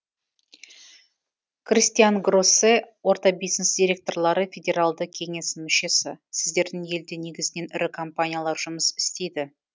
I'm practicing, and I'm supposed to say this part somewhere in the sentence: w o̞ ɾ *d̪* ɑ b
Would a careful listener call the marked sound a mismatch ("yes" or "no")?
yes